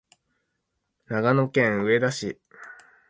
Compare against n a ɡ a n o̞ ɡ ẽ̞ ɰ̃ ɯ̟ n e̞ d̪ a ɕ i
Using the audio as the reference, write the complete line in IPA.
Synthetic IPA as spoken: n a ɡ a n o̞ k ẽ̞ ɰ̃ ɯ̟ e̞ d̪ a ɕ i